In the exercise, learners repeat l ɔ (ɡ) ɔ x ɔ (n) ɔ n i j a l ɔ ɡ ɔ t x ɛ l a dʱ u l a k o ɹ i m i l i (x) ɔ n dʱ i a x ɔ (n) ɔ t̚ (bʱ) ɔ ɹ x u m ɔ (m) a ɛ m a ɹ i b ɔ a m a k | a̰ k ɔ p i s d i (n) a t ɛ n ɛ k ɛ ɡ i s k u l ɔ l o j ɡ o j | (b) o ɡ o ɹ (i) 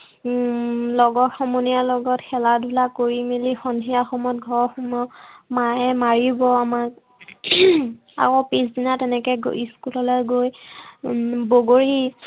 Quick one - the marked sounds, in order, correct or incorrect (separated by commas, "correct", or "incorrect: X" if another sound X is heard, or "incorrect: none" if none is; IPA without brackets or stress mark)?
correct, incorrect: m, correct, incorrect: m, incorrect: ɡʱ, correct, correct, correct, correct